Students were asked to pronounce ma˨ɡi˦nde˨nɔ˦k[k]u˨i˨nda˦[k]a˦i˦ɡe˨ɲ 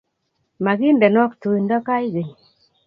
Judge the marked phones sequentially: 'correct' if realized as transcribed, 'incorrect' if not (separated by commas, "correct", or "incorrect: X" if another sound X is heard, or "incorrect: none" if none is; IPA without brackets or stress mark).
incorrect: t, correct